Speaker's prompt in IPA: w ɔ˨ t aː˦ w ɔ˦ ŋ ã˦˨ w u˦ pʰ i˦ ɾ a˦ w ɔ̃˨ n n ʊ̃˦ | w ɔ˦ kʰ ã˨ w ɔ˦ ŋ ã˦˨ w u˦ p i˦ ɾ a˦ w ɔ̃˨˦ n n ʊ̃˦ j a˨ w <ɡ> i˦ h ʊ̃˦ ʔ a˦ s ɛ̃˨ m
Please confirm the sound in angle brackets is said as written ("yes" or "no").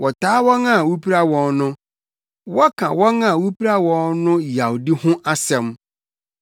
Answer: no